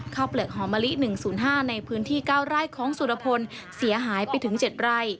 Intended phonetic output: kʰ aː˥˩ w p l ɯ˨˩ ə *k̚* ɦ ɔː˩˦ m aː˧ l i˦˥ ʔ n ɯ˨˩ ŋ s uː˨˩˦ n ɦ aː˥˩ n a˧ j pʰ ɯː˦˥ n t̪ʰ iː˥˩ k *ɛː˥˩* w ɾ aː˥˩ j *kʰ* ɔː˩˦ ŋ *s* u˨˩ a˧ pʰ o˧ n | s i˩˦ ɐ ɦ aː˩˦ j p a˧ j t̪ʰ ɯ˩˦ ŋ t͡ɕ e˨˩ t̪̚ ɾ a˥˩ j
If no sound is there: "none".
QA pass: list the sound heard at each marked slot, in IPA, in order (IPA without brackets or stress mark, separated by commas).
k̚, aː˥˩, kʰ, s